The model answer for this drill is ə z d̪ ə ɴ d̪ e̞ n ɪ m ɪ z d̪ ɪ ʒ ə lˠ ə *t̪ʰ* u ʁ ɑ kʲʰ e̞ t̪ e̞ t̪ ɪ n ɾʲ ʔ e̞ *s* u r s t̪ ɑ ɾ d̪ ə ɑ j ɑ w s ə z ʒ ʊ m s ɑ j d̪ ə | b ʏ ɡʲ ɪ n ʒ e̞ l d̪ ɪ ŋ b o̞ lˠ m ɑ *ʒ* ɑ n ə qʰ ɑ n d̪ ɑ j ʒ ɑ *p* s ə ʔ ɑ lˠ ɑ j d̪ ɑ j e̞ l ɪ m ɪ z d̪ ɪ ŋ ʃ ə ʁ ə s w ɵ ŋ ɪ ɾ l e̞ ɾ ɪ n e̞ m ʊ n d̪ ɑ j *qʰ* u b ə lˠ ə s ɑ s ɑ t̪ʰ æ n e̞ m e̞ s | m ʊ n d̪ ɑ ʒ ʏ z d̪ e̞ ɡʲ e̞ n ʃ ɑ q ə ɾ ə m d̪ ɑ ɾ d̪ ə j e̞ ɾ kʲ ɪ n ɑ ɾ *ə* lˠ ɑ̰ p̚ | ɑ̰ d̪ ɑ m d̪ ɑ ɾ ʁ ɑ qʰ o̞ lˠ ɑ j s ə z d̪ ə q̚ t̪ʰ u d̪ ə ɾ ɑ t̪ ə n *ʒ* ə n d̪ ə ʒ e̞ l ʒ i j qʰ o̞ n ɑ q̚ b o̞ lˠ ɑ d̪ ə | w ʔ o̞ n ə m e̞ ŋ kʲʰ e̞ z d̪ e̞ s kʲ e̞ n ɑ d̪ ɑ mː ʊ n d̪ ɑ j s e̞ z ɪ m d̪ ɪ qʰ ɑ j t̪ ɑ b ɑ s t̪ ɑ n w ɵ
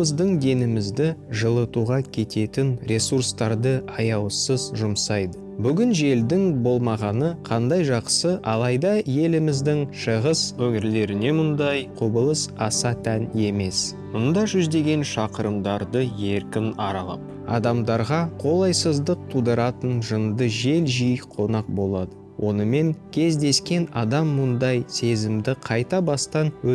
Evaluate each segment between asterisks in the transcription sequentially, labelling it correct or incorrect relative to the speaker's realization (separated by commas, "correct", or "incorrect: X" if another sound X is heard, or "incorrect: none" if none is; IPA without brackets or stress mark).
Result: incorrect: t̪, correct, incorrect: ʁ, incorrect: q, correct, incorrect: ɑ, correct